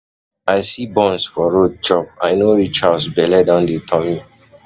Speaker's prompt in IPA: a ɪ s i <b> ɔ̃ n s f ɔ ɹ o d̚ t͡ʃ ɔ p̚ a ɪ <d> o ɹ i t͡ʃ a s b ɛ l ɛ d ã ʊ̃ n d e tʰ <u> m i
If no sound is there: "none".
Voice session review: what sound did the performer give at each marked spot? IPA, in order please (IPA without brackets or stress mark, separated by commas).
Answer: b, n, ɔ